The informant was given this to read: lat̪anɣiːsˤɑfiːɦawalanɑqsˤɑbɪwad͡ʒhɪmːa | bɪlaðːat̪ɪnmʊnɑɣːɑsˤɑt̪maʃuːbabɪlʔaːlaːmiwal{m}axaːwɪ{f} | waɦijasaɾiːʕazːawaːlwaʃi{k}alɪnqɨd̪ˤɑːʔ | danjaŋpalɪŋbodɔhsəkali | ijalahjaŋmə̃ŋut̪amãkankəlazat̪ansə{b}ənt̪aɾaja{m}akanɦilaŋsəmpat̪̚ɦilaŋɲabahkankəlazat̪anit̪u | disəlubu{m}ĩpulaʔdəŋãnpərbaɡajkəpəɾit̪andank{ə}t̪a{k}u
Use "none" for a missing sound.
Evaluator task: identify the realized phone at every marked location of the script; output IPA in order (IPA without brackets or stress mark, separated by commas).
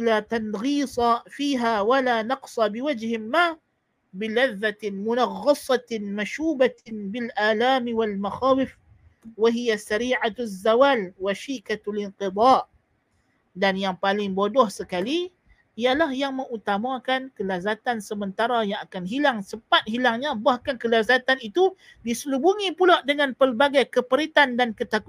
m, f, k, m, ŋ, ŋ, ə, k